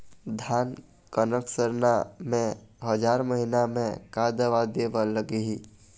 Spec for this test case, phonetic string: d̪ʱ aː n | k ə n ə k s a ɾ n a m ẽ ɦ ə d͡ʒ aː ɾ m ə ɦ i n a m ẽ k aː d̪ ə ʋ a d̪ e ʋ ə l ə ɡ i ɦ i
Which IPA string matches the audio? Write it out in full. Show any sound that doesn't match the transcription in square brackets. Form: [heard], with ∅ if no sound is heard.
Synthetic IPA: d̪ʱ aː n | k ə n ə k s [ə] ɾ n a m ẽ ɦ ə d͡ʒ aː ɾ m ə ɦ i n a m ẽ k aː d̪ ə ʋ a d̪ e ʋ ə l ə ɡ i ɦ i